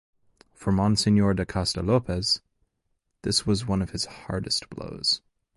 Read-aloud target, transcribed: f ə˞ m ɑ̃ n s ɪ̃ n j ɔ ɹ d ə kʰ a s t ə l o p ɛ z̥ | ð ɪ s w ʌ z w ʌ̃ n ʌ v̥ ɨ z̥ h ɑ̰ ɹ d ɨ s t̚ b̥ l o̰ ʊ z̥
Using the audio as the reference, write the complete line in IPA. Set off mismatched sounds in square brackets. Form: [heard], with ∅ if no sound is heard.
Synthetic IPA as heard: f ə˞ m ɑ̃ n s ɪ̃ n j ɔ ɹ d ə kʰ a s t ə l o p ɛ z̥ | ð ɪ s w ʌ z w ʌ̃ n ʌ v̥ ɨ z̥ h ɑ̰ ɹ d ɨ s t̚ b̥ l o̰ ʊ z̥

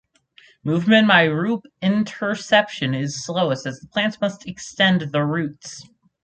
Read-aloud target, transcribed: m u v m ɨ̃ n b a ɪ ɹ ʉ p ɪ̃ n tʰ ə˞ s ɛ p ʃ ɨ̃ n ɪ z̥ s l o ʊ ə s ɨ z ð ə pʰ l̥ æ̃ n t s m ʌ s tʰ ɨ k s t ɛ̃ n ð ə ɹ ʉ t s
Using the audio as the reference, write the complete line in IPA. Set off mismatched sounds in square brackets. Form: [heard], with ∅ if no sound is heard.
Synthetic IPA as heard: m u v m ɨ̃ n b a ɪ ɹ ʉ p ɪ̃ n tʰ ə˞ s ɛ p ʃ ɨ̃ n ɪ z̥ s l o ʊ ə s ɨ z ð ə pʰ l̥ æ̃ n t s m ʌ s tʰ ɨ k s t ɛ̃ n ð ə ɹ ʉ t s

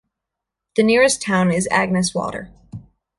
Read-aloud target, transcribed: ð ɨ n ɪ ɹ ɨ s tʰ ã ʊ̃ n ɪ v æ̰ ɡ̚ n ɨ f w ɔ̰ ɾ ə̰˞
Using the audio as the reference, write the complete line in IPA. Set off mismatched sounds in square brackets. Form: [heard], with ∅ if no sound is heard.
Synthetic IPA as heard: ð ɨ n ɪ ɹ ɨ s tʰ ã ʊ̃ n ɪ [z] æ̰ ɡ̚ n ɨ [s] w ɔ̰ ɾ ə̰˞

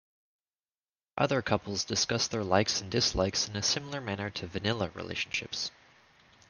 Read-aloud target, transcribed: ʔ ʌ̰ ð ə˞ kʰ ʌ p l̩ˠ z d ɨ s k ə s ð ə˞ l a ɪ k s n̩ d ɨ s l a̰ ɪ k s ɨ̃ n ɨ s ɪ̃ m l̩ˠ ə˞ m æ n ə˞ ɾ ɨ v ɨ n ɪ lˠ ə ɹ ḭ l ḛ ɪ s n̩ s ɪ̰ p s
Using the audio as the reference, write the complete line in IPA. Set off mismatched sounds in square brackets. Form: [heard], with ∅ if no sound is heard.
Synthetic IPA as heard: ʔ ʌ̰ ð ə˞ kʰ ʌ p l̩ˠ z d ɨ s k [ʌ] s ð ə˞ l a ɪ k s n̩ d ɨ s l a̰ ɪ k s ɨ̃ n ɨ s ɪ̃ m l̩ˠ ə˞ m æ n ə˞ ɾ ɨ v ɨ n ɪ lˠ ə ɹ ḭ l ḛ ɪ [ʃ] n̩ [ʃ] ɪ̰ p s

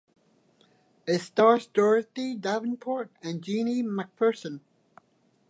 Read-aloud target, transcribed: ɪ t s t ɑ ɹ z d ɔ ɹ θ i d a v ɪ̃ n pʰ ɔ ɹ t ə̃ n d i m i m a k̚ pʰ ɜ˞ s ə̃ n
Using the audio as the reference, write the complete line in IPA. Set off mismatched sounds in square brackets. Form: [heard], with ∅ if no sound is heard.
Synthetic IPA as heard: ɪ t s t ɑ ɹ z d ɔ ɹ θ i d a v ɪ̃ n pʰ ɔ ɹ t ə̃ n [d͡ʒ] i [n] i m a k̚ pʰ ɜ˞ s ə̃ n

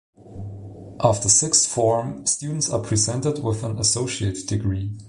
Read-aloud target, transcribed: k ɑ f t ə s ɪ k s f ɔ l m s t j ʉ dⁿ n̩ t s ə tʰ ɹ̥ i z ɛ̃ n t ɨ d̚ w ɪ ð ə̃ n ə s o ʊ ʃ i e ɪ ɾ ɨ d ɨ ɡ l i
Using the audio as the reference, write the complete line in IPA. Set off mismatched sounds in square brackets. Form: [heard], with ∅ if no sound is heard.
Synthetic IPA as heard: [ʔ] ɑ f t ə s ɪ k s f ɔ [ɹ] m s t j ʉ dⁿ n̩ t s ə [pʰ] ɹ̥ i z ɛ̃ n t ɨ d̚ w ɪ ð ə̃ n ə s o ʊ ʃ i e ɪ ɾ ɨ d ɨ ɡ [ɹ] i

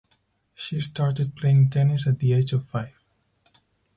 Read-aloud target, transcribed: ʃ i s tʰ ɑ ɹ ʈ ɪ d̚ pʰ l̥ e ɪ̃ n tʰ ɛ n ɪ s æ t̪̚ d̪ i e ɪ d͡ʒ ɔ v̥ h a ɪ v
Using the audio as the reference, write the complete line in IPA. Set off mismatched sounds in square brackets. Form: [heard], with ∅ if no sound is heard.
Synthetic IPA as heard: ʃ i s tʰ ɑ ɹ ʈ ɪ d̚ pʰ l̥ e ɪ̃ [ŋ] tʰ ɛ n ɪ s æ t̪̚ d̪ i e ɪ d͡ʒ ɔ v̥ [f] a ɪ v

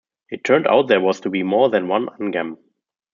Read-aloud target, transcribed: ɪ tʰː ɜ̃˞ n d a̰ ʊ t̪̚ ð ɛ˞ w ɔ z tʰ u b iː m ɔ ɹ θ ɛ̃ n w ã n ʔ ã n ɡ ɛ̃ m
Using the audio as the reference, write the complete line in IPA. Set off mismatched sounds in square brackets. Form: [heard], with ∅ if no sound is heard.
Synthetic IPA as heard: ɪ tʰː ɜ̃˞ n d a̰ ʊ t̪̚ ð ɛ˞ w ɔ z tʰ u b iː m ɔ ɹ [ð] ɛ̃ n w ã n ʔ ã n ɡ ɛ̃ m

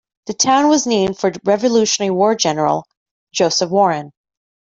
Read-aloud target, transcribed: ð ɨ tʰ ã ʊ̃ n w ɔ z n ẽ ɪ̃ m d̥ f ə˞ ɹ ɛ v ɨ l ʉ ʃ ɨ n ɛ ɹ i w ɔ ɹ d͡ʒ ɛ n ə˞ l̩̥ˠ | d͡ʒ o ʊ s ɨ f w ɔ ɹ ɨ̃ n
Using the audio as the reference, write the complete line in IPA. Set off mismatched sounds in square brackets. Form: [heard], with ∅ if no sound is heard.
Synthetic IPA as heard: ð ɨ tʰ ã ʊ̃ n w [ʌ] z n ẽ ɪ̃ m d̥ f ə˞ ɹ ɛ v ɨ l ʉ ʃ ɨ n ɛ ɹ i w ɔ ɹ d͡ʒ ɛ n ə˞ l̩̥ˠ | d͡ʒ o ʊ s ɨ f w ɔ ɹ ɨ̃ n

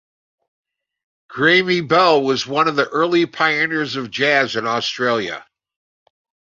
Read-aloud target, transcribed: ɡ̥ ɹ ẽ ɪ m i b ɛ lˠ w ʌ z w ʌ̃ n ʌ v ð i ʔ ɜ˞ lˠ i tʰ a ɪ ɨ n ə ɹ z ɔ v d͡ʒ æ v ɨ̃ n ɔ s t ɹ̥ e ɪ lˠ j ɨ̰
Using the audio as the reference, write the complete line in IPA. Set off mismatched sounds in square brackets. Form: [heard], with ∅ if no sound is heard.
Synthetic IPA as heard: ɡ̥ ɹ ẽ ɪ m i b ɛ lˠ w ʌ z w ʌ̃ n ʌ v ð i ʔ ɜ˞ lˠ i [pʰ] a ɪ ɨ n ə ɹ z [ʌ] v d͡ʒ æ [z] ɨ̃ n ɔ s t ɹ̥ e ɪ lˠ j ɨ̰

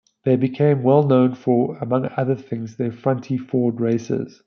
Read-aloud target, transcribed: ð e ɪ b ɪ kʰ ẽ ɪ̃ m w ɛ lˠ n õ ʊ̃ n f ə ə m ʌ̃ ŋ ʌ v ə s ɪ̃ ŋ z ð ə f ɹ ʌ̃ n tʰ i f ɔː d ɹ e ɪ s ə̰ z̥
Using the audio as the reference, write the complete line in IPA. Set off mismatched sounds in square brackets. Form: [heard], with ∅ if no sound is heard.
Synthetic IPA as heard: ð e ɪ b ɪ kʰ ẽ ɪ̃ m w ɛ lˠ n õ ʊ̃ n f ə ə m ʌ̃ ŋ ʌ [ð] ə [θ] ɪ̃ ŋ z ð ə f ɹ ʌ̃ n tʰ i f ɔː d ɹ e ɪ s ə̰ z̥

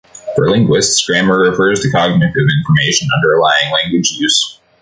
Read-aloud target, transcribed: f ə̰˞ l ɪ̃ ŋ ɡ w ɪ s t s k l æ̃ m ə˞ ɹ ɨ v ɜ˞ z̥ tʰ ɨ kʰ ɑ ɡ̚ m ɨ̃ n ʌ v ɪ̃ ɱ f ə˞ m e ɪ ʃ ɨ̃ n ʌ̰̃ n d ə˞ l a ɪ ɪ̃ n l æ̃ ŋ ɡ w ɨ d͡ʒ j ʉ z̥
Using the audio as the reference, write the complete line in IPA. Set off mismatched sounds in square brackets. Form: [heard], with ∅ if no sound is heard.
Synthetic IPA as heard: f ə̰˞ l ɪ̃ ŋ ɡ w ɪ s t s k [ɹ] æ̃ m ə˞ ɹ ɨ [f] ɜ˞ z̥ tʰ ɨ kʰ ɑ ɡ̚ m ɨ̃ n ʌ v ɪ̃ ɱ f ə˞ m e ɪ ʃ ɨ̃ n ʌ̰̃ n d ə˞ l a ɪ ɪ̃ [ŋ] l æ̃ ŋ ɡ w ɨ d͡ʒ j ʉ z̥

